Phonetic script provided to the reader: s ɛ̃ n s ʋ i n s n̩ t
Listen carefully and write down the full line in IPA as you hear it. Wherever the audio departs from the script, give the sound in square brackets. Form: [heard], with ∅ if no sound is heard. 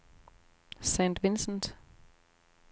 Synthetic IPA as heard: s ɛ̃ n [t] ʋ [ɪ] n s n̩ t

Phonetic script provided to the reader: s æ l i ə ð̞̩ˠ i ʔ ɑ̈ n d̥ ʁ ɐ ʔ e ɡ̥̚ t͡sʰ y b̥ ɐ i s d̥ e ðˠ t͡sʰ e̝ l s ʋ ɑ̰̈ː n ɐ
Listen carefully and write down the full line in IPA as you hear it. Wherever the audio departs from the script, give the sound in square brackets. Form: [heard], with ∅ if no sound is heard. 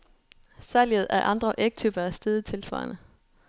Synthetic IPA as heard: s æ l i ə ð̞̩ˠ [æ] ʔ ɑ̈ n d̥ ʁ ɐ ʔ e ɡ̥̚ t͡sʰ y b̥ ɐ [æ] s d̥ e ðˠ t͡sʰ e̝ l s ʋ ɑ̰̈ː n [ə]

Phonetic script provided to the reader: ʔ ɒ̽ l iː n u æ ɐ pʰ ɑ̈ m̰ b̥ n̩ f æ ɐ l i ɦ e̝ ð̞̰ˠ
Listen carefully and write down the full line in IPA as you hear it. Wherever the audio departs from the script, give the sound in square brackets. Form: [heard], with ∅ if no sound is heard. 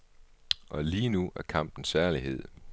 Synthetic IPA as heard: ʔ ɒ̽ l iː n u æ ɐ [kʰ] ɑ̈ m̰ b̥ n̩ [s] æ ɐ l i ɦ e̝ ð̞̰ˠ

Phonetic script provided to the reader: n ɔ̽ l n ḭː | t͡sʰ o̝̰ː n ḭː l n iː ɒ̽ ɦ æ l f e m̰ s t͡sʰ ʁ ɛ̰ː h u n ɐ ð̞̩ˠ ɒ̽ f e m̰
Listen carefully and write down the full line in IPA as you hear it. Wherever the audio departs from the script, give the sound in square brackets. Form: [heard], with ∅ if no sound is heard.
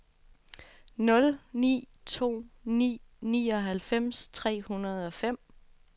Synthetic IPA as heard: n ɔ̽ l n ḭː | t͡sʰ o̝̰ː n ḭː [∅] n iː ɒ̽ ɦ æ l f e m̰ s t͡sʰ ʁ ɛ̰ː h u n ɐ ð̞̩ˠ ɒ̽ f e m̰

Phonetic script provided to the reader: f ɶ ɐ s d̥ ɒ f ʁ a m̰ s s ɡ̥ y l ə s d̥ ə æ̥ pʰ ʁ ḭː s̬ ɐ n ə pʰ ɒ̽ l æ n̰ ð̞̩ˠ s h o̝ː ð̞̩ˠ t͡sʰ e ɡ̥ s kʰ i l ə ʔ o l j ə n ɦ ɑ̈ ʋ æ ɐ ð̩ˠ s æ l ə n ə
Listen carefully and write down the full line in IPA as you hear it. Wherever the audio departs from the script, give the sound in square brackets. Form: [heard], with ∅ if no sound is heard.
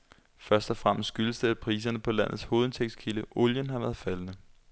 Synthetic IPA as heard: f ɶ ɐ s d̥ ɒ f ʁ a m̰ s s ɡ̥ y l ə s d̥ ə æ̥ pʰ ʁ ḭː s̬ ɐ n ə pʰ ɒ̽ l æ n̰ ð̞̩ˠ s h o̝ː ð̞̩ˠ t͡sʰ e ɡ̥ s kʰ i l ə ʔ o l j ə n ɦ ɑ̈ ʋ æ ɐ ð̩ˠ [f] æ l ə n ə

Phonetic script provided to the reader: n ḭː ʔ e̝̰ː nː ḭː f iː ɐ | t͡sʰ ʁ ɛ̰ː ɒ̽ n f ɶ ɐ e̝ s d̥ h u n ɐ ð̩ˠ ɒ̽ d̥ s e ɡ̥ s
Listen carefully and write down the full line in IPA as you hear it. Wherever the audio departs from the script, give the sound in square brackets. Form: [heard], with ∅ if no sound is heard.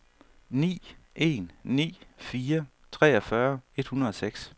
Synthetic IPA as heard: n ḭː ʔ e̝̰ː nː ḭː f iː ɐ | t͡sʰ ʁ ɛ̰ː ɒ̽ [∅] f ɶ ɐ e̝ [∅] d̥ h u n ɐ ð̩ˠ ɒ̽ [∅] s e ɡ̥ s

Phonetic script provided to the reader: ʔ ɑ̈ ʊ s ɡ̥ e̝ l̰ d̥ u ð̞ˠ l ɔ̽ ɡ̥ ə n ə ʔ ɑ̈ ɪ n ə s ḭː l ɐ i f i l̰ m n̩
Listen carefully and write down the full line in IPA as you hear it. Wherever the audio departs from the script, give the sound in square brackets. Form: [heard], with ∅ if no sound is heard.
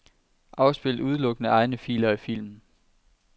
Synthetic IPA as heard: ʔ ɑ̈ ʊ s [b̥] e̝ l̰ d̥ u ð̞ˠ l ɔ̽ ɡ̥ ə n ə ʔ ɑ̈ ɪ n ə [f] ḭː l ɐ i f i l̰ m n̩

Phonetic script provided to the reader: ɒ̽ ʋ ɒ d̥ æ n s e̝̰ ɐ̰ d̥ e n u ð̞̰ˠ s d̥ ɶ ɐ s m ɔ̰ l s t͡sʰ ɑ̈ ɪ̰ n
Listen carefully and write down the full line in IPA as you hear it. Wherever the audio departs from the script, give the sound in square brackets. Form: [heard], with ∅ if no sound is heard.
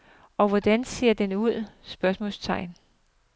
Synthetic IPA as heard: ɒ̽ ʋ ɒ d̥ æ n s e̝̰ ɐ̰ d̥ e n u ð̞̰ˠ s [b̥] ɶ ɐ s m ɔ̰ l s t͡sʰ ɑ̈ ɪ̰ n

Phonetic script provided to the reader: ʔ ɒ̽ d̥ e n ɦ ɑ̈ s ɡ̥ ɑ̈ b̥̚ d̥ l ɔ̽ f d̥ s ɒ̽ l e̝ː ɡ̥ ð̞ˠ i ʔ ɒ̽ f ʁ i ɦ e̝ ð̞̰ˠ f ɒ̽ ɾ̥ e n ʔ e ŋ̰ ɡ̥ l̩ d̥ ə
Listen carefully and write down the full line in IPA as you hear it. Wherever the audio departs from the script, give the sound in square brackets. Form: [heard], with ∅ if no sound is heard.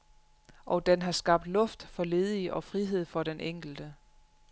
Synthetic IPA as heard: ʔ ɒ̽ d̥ e n ɦ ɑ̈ s ɡ̥ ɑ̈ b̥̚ d̥ l ɔ̽ f d̥ [f] ɒ̽ l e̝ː [∅] ð̞ˠ i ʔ ɒ̽ f ʁ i ɦ e̝ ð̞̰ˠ f ɒ̽ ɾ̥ e n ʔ e ŋ̰ ɡ̥ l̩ d̥ ə

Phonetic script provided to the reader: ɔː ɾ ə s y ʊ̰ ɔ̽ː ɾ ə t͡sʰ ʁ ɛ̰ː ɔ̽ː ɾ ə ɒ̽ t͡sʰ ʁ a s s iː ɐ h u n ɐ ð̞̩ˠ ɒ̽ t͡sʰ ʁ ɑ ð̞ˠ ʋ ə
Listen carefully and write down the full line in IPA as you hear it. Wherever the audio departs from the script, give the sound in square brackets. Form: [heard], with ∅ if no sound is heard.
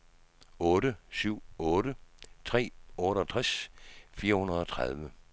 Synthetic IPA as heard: ɔː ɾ ə s y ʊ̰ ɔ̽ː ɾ ə t͡sʰ ʁ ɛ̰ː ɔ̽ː ɾ ə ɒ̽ t͡sʰ ʁ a s [f] iː ɐ h u n ɐ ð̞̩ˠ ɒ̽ t͡sʰ ʁ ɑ ð̞ˠ ʋ ə

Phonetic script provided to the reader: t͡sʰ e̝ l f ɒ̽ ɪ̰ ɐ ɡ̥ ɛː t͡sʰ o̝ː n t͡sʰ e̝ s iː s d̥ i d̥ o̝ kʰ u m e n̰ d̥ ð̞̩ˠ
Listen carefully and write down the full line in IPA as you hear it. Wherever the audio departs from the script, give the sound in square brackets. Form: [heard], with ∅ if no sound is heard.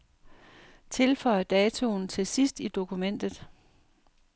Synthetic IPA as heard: t͡sʰ e̝ l f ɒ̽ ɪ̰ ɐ [d̥] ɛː t͡sʰ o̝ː n t͡sʰ e̝ s [i] s d̥ i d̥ o̝ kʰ u m e n̰ d̥ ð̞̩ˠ

